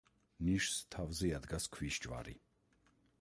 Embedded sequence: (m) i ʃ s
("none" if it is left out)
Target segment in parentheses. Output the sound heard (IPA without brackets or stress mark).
n